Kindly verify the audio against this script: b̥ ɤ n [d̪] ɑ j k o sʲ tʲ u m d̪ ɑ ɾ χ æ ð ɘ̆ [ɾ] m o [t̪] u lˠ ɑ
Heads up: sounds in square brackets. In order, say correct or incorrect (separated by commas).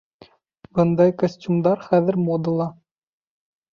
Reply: correct, correct, incorrect